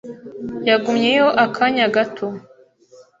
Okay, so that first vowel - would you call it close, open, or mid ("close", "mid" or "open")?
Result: open